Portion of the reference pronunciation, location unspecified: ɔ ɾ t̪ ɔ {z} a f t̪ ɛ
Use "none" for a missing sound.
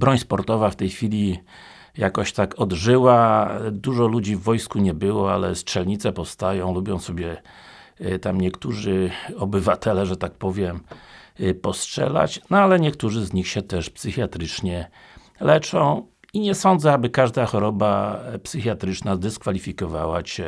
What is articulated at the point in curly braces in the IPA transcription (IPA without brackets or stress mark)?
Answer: v